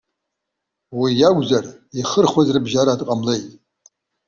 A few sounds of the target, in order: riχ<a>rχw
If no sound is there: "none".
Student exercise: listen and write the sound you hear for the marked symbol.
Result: ə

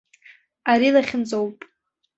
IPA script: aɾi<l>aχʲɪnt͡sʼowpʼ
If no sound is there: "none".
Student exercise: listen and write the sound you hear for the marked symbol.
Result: l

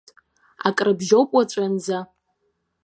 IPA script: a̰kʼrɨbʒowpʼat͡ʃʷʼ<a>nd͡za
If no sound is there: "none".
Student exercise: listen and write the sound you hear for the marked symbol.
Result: a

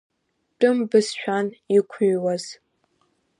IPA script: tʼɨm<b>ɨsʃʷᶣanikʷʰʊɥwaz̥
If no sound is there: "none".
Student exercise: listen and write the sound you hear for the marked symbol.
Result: b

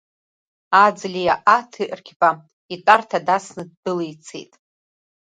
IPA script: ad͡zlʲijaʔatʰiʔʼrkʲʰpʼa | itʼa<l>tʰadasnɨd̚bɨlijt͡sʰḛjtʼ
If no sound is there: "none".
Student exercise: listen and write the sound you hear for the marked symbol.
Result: r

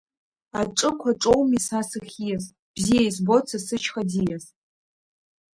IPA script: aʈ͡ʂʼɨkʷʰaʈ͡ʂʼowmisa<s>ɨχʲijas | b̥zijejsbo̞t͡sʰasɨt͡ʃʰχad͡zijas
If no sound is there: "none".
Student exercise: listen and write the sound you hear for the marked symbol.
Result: s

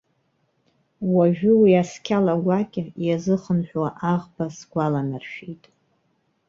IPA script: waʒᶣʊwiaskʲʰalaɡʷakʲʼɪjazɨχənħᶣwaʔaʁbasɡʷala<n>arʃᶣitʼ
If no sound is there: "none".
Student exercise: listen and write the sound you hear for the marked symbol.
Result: n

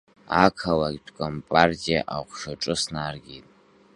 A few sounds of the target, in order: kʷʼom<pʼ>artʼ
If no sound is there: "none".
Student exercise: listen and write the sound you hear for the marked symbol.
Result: pʼ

